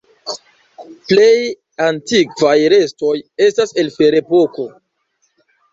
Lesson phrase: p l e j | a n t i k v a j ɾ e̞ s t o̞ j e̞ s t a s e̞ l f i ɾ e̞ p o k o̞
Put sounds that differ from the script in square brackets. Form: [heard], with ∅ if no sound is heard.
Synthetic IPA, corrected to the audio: p l e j | a n t i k v a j ɾ e̞ s t o̞ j e̞ s t a s e̞ l f [e] ɾ e̞ p o k o̞